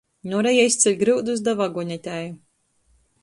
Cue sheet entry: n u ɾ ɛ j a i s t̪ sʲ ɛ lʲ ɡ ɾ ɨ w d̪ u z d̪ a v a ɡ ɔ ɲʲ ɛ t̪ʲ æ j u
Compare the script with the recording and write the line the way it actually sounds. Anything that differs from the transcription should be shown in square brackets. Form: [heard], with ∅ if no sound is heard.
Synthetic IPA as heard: n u ɾ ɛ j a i s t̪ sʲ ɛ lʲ ɡ ɾ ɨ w d̪ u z d̪ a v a ɡ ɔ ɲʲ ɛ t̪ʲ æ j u